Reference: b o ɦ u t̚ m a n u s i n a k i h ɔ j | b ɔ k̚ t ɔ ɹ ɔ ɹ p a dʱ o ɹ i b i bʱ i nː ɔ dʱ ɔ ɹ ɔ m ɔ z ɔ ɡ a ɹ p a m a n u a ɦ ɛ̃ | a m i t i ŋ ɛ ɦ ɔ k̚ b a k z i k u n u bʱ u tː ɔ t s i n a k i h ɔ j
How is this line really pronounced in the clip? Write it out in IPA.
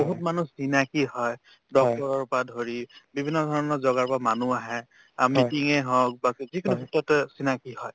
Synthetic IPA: b o ɦ u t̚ m a n u s i n a k i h ɔ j | d ɔ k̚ t ɔ ɹ ɔ ɹ p a dʱ o ɹ i b i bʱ i nː ɔ dʱ ɔ ɹ ɔ n ɔ z ɔ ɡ a ɹ p a m a n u a ɦ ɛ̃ | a m i t i ŋ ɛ ɦ ɔ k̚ b a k z i k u n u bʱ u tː ɔ t s i n a k i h ɔ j